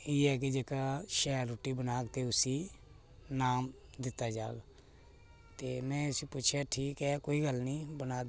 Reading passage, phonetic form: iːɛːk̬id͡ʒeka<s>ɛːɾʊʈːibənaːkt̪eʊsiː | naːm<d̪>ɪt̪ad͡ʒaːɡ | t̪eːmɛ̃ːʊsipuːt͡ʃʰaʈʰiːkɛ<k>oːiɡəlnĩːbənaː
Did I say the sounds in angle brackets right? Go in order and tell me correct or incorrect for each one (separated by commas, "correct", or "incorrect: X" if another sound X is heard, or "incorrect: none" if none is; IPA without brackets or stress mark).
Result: incorrect: ʃ, correct, correct